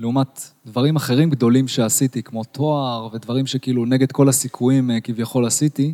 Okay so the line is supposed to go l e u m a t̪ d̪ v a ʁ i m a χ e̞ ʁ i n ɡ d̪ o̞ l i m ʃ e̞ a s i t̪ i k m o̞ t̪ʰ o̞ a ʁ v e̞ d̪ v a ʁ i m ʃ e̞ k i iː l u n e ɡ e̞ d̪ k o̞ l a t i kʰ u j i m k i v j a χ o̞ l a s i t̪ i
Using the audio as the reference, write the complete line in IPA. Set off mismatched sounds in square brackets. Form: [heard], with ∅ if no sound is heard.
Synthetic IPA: l e u m a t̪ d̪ v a ʁ i m a χ e̞ ʁ i [m] ɡ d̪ o̞ l i m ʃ e̞ a s i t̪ i k m o̞ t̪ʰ o̞ a ʁ v e̞ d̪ v a ʁ i m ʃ e̞ k i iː l u n e ɡ e̞ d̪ k o̞ l a [s] i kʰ u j i m k i v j a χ o̞ l a s i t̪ i